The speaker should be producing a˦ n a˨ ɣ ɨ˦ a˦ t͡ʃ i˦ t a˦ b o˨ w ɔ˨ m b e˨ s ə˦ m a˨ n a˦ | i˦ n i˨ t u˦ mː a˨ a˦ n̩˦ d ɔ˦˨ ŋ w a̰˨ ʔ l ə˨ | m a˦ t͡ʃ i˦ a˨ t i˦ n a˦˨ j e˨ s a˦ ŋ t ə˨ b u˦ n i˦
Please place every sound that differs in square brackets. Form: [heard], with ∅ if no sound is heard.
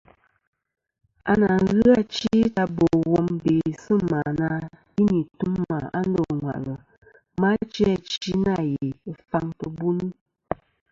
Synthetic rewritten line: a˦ n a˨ ɣ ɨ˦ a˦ t͡ʃ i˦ t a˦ b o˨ w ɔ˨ m b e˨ s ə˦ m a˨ n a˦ | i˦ n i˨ t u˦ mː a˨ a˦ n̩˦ d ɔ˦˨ ŋ w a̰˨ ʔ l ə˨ | m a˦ t͡ʃ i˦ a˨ [t͡ʃ] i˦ n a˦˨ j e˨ [f] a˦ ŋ t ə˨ b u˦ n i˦